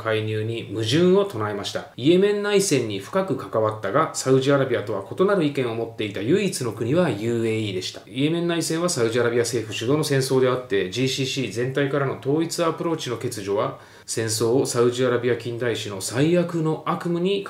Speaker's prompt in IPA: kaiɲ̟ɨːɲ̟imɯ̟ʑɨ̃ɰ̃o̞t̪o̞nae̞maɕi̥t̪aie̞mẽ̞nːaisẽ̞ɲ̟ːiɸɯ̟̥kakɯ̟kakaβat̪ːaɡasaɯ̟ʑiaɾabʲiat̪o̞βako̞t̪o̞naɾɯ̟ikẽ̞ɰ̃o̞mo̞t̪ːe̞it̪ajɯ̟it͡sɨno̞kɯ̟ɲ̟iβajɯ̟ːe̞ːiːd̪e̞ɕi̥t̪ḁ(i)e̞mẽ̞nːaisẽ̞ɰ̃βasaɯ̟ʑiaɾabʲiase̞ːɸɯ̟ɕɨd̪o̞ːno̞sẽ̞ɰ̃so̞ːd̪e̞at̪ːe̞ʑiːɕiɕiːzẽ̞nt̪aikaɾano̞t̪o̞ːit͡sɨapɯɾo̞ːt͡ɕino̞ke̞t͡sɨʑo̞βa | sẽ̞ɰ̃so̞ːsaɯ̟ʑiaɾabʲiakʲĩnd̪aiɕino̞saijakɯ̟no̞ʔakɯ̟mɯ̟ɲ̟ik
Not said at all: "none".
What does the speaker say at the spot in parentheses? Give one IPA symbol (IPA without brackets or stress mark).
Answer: i